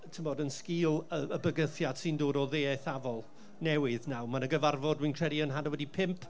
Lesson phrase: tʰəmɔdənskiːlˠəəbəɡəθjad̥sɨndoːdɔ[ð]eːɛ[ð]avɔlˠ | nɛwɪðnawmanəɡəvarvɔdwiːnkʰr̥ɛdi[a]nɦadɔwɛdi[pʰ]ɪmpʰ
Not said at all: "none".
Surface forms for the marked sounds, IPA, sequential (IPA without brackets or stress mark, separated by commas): ð, θ, ə, pʰ